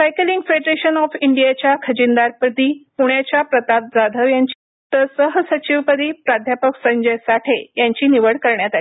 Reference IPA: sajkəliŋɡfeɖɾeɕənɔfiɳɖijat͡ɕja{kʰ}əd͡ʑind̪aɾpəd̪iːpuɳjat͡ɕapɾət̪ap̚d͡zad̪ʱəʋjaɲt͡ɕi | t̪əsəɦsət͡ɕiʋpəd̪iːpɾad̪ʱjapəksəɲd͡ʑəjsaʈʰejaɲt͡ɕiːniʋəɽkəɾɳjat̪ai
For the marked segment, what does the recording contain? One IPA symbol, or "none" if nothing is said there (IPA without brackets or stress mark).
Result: kʰ